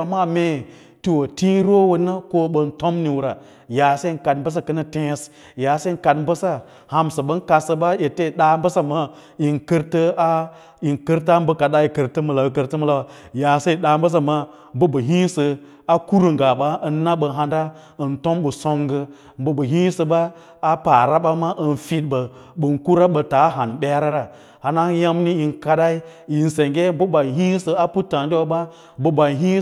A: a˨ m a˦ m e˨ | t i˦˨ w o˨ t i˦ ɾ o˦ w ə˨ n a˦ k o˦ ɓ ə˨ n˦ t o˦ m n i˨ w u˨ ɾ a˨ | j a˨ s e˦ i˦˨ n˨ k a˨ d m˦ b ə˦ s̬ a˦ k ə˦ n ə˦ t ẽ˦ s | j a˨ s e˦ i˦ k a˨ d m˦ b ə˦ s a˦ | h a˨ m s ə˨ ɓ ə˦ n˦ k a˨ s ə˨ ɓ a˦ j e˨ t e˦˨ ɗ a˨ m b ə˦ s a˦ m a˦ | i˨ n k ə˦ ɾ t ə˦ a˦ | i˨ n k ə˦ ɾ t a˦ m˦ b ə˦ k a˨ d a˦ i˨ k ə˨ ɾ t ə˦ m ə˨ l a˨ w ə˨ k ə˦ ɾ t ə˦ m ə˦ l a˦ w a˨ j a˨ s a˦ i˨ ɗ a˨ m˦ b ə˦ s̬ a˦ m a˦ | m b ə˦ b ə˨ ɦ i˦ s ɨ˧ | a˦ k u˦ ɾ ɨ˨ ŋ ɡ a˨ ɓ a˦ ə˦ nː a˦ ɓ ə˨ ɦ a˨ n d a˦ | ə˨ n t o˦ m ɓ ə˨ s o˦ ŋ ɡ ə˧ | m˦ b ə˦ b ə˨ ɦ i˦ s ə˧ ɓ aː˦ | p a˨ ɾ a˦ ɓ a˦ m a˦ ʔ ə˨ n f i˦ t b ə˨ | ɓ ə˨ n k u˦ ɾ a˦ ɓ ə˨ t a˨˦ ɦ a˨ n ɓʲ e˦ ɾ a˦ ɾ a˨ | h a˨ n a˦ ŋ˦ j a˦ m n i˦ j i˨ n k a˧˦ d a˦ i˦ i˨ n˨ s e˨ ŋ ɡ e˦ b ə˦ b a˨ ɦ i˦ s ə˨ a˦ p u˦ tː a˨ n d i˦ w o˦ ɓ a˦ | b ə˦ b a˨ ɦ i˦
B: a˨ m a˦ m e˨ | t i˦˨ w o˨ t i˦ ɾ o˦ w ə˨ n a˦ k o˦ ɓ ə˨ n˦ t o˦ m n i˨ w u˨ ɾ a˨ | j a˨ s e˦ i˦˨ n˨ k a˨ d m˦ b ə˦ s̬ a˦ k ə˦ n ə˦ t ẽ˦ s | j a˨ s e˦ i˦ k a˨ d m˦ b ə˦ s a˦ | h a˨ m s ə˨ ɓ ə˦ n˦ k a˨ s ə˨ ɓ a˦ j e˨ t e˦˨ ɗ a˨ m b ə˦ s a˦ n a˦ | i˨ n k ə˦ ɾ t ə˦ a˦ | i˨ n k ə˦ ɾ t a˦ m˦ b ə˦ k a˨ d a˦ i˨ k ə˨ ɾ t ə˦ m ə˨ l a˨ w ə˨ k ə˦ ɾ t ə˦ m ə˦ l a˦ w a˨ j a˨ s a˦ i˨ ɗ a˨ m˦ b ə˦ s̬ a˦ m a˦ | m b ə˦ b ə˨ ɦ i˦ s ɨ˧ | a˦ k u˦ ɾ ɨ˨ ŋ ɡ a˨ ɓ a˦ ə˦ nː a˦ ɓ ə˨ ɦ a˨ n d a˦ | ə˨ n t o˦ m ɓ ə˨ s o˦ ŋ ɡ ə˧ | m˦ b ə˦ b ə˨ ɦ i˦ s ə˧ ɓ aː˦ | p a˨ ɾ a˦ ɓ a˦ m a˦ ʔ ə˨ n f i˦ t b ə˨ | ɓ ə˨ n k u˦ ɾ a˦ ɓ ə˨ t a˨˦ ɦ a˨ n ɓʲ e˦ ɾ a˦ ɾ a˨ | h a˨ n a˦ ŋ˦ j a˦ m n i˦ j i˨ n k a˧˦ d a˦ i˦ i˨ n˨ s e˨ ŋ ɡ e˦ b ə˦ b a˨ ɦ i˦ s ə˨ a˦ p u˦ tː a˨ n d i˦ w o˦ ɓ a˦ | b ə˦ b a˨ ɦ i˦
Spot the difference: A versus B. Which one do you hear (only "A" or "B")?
A